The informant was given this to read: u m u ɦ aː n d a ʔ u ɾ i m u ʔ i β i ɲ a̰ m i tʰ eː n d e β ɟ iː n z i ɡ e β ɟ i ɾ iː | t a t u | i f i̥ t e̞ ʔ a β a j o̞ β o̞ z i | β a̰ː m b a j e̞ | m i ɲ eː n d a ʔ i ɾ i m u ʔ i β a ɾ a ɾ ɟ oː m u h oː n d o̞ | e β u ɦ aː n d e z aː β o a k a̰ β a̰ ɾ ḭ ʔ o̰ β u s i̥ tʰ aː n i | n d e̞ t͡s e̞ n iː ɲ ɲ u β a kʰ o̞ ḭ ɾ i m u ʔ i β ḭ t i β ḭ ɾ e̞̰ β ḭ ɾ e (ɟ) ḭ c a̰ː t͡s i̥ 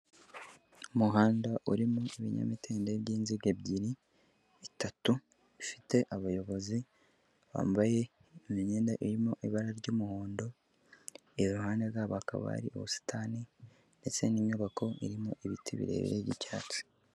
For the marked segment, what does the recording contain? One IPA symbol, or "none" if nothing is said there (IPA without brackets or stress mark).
ɟ